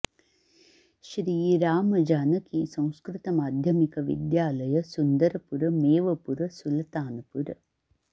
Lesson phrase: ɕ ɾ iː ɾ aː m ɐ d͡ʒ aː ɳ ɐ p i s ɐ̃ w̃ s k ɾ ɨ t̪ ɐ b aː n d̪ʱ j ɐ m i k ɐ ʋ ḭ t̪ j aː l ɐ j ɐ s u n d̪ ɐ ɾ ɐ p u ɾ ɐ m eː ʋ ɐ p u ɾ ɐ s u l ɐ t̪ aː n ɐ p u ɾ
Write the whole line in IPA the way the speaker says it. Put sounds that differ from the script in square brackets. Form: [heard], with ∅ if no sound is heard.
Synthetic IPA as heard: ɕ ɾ iː ɾ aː m ɐ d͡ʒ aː [n] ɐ [k] i s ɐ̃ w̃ s k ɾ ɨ t̪ ɐ [m] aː [∅] d̪ʱ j ɐ m i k ɐ ʋ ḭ [d̪] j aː l ɐ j ɐ s u n d̪ ɐ ɾ ɐ p u ɾ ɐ m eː ʋ ɐ p u ɾ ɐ s u l ɐ t̪ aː n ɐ p u ɾ